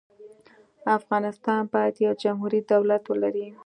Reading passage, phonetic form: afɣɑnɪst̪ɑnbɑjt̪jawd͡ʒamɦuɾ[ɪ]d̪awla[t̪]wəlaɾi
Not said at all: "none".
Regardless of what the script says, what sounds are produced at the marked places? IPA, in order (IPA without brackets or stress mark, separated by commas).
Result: i, t̪